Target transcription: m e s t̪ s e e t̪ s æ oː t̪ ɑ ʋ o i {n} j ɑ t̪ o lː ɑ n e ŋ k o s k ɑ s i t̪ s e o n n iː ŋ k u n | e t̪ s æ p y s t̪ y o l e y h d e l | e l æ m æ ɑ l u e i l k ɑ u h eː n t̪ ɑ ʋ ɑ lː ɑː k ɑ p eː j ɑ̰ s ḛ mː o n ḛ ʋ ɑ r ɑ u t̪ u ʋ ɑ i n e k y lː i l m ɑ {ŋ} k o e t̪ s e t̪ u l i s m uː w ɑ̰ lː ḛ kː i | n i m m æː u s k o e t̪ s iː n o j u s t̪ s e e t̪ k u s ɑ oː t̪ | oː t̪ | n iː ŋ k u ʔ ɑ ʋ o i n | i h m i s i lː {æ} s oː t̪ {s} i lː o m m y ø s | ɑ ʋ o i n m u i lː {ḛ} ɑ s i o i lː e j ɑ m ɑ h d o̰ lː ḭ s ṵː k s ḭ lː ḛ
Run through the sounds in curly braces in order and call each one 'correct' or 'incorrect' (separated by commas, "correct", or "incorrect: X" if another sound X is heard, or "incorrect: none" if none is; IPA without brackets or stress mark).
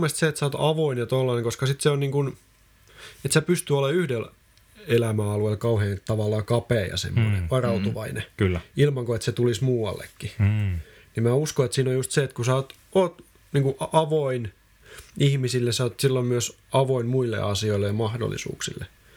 correct, correct, incorrect: e, correct, correct